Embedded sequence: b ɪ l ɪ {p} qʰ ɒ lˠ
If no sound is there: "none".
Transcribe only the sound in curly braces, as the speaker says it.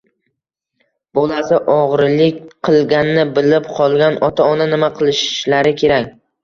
p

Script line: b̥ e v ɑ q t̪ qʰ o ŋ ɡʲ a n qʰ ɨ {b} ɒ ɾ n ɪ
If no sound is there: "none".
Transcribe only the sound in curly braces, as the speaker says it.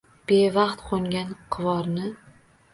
v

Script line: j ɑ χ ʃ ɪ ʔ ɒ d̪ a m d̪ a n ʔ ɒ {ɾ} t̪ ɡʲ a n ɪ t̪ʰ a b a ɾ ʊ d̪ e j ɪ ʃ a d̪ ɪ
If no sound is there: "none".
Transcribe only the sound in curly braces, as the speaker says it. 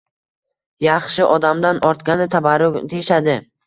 ɾ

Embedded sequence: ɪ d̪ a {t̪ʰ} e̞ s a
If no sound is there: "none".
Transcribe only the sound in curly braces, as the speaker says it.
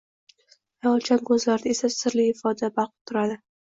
none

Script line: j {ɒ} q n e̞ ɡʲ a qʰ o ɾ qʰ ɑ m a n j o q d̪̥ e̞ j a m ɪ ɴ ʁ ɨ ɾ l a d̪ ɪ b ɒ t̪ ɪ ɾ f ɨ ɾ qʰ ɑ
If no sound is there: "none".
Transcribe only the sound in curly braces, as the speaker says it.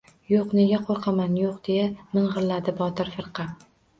o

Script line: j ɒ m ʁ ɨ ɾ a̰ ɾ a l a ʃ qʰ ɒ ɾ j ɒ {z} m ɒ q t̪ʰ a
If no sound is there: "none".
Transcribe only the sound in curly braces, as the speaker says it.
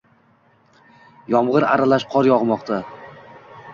ʁ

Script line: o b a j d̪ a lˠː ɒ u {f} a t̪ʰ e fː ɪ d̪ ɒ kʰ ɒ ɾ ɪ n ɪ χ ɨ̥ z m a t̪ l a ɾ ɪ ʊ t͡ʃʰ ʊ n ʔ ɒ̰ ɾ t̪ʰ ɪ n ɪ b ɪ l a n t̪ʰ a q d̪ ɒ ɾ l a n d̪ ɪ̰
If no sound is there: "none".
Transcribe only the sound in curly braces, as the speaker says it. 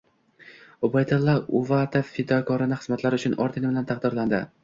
v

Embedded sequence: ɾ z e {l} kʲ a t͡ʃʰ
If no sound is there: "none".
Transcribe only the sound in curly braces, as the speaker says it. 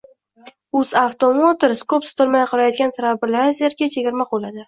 ɾ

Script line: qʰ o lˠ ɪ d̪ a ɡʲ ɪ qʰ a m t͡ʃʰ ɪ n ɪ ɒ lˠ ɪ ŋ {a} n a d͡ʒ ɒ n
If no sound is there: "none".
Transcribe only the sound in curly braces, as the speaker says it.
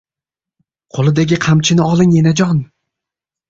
e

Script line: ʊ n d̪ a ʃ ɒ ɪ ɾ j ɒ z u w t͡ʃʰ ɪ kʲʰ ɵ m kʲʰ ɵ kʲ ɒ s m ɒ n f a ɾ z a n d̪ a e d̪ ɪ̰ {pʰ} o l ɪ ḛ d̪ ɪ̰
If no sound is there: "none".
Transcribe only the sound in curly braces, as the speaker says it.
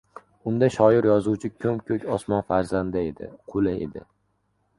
qʰ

